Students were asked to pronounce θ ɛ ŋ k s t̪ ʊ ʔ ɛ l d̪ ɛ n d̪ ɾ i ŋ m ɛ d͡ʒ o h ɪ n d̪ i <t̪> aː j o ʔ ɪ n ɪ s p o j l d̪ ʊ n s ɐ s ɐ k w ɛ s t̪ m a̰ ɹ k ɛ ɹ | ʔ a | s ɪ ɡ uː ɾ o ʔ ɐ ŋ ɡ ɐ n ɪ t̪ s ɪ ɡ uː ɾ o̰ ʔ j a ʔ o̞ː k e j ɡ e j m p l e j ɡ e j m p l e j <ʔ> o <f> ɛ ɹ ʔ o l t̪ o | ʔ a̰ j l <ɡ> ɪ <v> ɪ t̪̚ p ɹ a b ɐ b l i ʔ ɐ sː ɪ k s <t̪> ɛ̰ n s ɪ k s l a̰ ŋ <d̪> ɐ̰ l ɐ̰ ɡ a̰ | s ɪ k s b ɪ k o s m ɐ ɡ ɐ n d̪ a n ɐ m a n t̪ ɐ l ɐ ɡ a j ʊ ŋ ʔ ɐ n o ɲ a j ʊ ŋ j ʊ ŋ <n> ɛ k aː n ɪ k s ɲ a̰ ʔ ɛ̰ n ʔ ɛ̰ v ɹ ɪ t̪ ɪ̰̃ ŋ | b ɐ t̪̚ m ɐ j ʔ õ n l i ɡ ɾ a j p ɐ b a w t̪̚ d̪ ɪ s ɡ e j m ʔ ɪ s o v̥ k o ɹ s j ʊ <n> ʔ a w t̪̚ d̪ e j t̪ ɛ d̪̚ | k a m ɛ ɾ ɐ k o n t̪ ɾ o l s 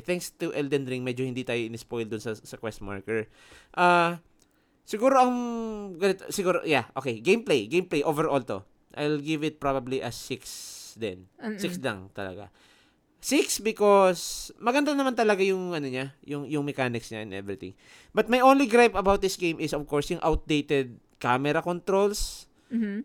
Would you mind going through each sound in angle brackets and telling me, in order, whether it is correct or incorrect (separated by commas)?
correct, correct, incorrect, correct, correct, incorrect, incorrect, incorrect, incorrect